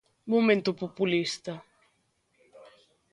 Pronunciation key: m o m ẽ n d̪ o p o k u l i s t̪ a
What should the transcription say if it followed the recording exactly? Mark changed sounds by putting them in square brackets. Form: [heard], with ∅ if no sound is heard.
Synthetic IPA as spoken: m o m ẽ n [t̪] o p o [p] u l i s t̪ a